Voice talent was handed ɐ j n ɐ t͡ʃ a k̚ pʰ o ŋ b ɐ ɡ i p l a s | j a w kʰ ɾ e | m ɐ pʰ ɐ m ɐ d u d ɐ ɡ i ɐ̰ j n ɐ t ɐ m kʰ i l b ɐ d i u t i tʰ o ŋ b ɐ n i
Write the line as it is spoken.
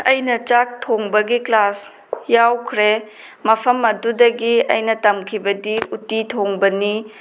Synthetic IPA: ɐ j n ɐ t͡ʃ a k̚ tʰ o ŋ b ɐ ɡ i k l a s | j a w kʰ ɾ e | m ɐ pʰ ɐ m ɐ d u d ɐ ɡ i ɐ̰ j n ɐ t ɐ m kʰ i b ɐ d i u t i tʰ o ŋ b ɐ n i